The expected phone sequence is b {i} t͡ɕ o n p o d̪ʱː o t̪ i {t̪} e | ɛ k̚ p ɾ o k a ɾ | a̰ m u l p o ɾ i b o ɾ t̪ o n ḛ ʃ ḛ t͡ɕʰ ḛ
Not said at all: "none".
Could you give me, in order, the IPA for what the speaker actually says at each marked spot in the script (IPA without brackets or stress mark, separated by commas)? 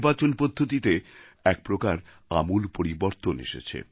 a, t̪